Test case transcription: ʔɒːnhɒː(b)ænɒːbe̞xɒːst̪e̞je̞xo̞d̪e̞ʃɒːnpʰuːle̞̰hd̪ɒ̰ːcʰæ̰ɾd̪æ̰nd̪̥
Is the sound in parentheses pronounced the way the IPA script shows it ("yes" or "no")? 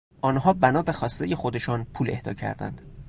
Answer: yes